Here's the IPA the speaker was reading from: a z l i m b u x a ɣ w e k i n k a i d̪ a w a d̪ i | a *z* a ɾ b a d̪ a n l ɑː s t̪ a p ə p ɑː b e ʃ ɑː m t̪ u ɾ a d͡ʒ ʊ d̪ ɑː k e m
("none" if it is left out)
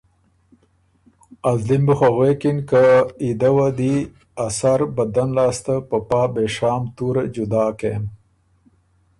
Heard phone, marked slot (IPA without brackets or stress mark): s